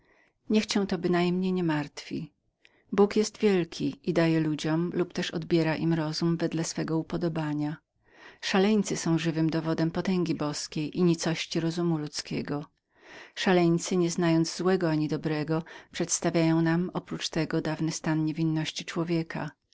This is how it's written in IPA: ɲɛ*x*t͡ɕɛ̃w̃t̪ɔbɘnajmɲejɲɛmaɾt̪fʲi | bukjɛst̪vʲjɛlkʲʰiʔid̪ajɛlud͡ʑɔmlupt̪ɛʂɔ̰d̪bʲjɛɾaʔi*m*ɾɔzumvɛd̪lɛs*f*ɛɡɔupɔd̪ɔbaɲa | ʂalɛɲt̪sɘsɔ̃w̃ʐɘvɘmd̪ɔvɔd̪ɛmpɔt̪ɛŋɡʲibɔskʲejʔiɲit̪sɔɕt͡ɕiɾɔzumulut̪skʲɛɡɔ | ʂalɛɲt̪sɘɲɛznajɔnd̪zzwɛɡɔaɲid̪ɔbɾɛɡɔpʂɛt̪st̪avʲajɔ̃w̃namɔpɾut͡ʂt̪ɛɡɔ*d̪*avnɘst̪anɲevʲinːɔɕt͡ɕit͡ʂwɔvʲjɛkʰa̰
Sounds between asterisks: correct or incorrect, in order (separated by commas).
correct, correct, correct, correct